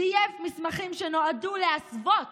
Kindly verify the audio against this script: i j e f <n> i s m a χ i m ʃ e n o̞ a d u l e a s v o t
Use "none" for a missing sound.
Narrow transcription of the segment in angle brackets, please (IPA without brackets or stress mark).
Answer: m